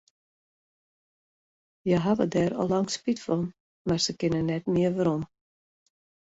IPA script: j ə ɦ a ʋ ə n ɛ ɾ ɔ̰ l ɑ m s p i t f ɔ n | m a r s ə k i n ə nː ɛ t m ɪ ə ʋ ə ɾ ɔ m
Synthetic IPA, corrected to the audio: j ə ɦ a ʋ ə d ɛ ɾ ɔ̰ l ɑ ŋ s p i t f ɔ n | m a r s ə k ɪ n ə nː ɛ t m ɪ ə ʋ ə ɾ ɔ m